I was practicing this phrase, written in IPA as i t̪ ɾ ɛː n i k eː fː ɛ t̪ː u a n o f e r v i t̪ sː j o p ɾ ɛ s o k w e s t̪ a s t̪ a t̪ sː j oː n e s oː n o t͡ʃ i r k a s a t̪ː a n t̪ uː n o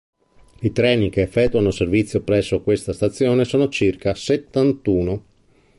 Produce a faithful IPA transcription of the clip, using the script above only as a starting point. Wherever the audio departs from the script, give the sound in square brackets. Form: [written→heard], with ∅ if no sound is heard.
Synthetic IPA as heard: i t̪ ɾ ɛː n i k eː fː ɛ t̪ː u a n o [f→s] e r v i t̪ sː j o p ɾ ɛ [s→sː] o k w e s t̪ a s t̪ a t̪ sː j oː n e s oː n o t͡ʃ i r k a s [a→e] t̪ː a n t̪ uː n o